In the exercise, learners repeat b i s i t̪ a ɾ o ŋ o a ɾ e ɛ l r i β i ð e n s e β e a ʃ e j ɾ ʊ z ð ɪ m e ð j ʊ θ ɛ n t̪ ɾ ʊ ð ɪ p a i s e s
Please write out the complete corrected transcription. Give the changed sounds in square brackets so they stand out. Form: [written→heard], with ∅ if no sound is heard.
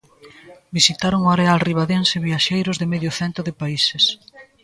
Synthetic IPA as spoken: b i s i t̪ a ɾ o ŋ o a ɾ e [ɛ→a] l r i β [i→a] ð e n s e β [e→i] a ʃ e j ɾ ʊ z ð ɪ m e ð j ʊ θ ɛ n t̪ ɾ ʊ ð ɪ p a i s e s